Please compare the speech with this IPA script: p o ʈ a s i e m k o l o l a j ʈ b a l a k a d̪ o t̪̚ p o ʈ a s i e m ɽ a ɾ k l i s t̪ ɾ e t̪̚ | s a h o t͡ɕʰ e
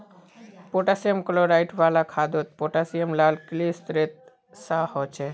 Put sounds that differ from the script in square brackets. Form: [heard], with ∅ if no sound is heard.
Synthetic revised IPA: p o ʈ a s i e m k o l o [ɾ] a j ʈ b a l a [kʰ] a d̪ o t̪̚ p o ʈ a s i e m [l] a [l] k l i s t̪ ɾ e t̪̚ | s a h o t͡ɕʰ e